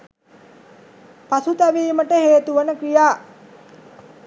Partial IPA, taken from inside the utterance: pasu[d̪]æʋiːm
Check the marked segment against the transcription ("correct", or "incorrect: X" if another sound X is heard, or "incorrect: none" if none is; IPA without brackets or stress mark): incorrect: t̪